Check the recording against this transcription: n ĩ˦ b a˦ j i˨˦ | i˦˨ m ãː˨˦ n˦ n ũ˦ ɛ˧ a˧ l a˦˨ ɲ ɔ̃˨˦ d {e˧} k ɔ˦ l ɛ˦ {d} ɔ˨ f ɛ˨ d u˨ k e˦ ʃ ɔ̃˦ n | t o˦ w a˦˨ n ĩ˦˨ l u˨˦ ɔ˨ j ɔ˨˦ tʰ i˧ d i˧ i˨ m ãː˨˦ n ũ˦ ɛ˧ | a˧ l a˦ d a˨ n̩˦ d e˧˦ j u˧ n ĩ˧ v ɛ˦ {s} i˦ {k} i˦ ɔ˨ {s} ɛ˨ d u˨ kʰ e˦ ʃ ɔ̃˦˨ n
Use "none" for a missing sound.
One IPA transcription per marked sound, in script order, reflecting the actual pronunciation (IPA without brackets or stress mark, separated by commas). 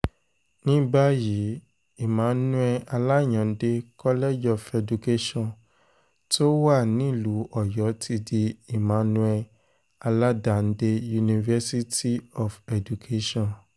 e˧, d͡ʒ, s, t, f